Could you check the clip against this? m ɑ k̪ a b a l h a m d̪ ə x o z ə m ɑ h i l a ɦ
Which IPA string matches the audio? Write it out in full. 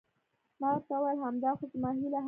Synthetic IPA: m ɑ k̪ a w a l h a m d̪ ɑ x o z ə m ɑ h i l a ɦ